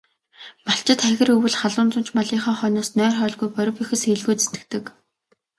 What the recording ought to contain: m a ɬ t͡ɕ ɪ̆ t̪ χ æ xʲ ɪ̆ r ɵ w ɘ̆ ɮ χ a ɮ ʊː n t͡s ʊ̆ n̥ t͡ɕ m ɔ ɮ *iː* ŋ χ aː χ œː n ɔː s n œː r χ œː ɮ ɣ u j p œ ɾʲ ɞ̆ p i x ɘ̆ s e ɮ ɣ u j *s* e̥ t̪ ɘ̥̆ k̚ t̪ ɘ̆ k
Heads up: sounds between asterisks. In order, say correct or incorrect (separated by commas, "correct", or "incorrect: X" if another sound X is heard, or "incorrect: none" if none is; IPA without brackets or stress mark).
correct, incorrect: t͡s